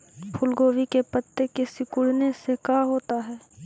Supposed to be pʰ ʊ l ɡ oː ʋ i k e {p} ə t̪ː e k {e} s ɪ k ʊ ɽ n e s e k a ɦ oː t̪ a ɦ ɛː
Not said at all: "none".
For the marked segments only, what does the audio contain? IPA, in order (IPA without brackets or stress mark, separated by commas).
p, e